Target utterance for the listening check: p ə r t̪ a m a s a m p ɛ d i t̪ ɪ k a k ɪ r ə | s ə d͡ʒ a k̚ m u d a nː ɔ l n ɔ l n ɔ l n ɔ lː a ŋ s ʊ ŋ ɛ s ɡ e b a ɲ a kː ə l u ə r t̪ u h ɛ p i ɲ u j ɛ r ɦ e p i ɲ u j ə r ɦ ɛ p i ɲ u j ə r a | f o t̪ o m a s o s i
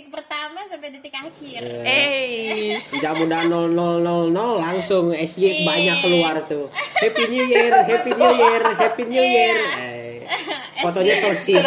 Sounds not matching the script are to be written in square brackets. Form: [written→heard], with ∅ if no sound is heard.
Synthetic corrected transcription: p ə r t̪ a m a s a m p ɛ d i t̪ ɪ k a k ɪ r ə | s ə d͡ʒ a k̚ m u d a [nː→n] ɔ l n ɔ l n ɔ l n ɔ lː a ŋ s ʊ ŋ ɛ s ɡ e b a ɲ a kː ə l u [ə→a] r t̪ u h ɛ p i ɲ u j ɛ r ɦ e p i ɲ u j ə r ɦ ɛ p i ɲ u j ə r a | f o t̪ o [m→ɲ] a s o s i